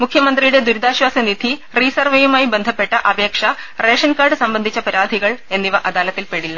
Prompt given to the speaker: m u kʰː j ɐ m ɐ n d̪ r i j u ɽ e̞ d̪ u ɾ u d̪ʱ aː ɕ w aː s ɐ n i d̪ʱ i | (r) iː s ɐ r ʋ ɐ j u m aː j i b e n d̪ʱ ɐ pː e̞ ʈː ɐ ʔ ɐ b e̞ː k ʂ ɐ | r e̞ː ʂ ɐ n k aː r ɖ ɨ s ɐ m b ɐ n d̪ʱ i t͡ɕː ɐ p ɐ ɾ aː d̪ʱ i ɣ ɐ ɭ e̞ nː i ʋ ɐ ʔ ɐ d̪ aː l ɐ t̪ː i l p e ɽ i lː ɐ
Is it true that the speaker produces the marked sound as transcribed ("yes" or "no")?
yes